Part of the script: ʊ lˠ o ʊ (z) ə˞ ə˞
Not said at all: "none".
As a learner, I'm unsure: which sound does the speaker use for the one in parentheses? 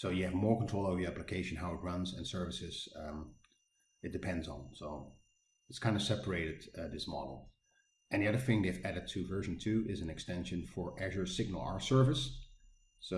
v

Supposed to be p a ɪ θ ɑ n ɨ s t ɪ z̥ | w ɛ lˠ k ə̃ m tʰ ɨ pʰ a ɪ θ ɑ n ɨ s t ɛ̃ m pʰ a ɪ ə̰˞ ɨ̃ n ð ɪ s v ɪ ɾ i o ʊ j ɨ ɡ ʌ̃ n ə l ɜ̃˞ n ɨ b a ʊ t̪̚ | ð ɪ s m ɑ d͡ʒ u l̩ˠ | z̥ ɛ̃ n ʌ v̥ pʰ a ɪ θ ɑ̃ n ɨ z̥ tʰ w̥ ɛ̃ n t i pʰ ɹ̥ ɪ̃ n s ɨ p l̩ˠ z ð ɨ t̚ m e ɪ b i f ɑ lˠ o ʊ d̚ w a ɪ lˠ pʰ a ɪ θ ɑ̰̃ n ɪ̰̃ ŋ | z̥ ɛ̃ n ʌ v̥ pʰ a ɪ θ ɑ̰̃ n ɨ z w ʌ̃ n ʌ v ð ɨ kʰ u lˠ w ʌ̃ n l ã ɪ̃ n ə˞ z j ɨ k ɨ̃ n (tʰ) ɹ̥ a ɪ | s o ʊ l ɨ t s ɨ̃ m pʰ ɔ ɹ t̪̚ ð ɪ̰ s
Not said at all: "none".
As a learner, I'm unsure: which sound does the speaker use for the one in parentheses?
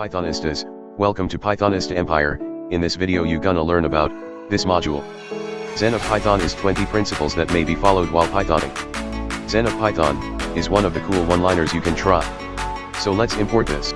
tʰ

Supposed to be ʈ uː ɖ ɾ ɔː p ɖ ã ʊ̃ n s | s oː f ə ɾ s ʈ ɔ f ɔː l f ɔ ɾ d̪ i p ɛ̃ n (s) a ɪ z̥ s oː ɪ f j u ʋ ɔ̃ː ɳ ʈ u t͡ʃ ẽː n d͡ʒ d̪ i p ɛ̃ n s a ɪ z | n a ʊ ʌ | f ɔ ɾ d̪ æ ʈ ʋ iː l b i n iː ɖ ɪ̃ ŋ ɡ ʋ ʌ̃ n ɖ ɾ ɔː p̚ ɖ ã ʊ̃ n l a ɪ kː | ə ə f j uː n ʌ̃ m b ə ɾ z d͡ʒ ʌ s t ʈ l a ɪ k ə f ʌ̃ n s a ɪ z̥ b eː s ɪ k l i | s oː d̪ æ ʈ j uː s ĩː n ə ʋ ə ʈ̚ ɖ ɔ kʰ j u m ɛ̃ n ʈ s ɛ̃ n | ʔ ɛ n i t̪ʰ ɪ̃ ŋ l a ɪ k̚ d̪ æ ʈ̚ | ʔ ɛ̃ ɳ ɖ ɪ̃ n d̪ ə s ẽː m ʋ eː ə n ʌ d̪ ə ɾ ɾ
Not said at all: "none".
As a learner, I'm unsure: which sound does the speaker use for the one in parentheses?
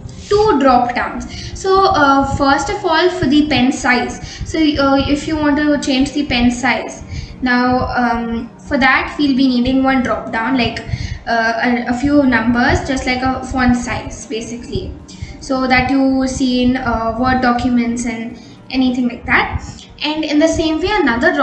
s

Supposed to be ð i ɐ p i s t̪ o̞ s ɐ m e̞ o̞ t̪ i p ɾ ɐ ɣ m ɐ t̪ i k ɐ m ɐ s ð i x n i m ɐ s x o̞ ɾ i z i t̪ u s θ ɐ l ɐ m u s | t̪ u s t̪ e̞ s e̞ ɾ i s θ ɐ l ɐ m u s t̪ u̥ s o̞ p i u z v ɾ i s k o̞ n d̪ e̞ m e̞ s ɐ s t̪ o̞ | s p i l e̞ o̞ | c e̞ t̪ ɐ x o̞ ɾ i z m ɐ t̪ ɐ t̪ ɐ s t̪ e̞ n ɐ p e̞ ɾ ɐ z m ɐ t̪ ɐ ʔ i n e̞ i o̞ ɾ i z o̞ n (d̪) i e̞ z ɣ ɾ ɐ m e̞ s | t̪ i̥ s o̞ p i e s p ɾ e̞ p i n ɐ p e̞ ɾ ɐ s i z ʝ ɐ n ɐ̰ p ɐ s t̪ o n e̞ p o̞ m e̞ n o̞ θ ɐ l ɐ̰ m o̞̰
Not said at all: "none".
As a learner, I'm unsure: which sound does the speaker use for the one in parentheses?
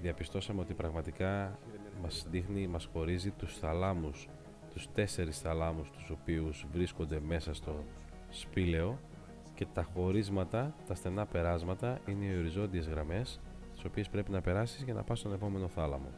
d̪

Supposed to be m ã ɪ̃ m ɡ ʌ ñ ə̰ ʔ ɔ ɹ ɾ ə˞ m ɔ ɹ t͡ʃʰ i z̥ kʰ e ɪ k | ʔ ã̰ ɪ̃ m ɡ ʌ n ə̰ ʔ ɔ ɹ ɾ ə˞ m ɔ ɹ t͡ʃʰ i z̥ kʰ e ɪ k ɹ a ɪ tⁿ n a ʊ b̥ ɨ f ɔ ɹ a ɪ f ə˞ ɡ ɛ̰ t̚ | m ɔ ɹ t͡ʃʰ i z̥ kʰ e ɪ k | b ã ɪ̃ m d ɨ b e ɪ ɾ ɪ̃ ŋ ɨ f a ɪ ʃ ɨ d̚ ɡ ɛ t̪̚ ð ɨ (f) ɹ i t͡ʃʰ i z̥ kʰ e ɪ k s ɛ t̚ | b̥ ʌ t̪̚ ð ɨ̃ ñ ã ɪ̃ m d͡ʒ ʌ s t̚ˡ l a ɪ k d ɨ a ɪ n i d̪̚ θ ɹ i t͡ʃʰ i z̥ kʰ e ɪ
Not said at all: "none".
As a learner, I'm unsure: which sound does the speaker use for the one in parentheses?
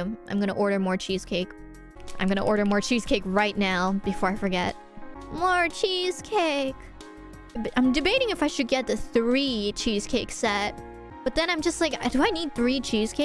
θ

